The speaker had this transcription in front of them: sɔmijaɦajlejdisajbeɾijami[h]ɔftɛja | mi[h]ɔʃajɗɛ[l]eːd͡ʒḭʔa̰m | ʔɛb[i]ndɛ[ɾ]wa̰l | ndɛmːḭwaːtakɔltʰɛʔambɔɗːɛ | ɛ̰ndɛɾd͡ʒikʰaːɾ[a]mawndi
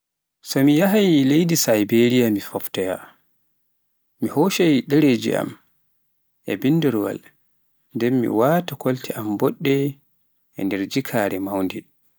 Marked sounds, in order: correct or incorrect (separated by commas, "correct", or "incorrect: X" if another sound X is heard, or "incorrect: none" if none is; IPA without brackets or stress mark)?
incorrect: f, correct, incorrect: ɾ, correct, correct, incorrect: ɛ